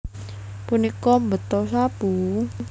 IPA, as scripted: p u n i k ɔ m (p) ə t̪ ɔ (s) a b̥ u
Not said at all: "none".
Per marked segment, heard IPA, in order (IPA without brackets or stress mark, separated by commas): b, s